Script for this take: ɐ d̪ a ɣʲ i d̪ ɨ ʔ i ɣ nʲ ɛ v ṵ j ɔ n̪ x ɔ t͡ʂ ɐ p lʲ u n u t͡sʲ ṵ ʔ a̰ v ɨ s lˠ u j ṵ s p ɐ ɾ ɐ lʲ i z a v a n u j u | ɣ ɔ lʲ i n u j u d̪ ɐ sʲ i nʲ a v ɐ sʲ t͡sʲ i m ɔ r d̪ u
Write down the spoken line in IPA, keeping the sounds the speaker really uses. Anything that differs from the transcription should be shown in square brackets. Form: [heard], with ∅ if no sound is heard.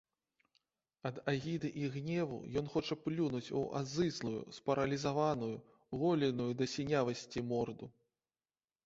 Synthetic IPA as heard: ɐ d̪ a ɣʲ i d̪ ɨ ʔ i ɣ nʲ ɛ v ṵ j ɔ n̪ x ɔ t͡ʂ ɐ p lʲ u n u t͡sʲ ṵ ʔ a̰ [z] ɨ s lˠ u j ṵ s p ɐ ɾ ɐ lʲ i z a v a n u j u | ɣ ɔ lʲ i n u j u d̪ ɐ sʲ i nʲ a v ɐ sʲ t͡sʲ i m ɔ r d̪ u